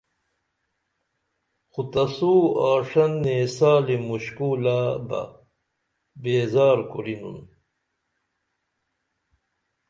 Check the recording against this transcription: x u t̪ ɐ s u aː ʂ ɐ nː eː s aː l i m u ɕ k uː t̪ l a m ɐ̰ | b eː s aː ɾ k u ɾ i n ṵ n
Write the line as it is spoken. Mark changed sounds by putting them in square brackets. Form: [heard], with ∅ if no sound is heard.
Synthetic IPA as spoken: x u t̪ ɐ s u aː ʂ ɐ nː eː s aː l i m u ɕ k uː [∅] l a [b] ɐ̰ | b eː [z] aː ɾ k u ɾ i n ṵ n